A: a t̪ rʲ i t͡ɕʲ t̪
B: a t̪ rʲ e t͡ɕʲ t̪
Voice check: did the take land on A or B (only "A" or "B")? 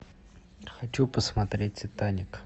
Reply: B